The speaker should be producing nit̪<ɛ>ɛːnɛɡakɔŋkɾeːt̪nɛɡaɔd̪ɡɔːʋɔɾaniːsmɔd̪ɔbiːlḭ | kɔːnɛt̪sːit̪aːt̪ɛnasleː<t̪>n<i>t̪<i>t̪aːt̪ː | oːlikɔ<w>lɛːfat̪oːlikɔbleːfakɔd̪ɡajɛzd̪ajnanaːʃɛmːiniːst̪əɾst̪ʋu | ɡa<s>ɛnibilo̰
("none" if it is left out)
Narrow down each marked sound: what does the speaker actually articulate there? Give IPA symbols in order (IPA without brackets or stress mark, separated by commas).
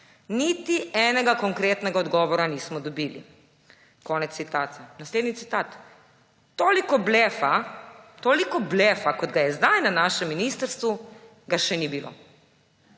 i, d̪, i, i, b, ʃ